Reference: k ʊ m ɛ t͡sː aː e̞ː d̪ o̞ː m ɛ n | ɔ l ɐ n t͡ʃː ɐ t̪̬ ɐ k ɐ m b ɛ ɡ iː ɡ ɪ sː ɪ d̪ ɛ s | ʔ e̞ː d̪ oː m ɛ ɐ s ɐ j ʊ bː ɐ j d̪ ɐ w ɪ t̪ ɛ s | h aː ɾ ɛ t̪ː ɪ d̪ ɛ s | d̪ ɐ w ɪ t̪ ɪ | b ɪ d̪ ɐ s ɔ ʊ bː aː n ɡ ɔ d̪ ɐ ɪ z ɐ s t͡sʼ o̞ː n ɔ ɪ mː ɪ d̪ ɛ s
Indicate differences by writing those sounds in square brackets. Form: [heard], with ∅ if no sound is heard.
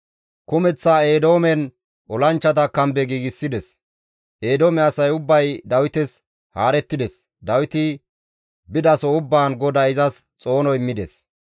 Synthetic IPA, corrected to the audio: k ʊ m ɛ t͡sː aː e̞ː d̪ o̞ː m ɛ n | ɔ l ɐ n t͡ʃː ɐ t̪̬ ɐ k ɐ m b ɛ ɡ iː ɡ ɪ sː ɪ d̪ ɛ s | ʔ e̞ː d̪ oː m ɛ ɐ s ɐ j ʊ bː ɐ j d̪ ɐ w ɪ t̪ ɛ s | h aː ɾ ɛ t̪ː ɪ d̪ ɛ s | d̪ ɐ w ɪ t̪ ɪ | b ɪ d̪ ɐ s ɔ ʊ bː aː n ɡ ɔ d̪ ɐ ɪ z ɐ s t͡sʼ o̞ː n ɔ ɪ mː ɪ d̪ ɛ s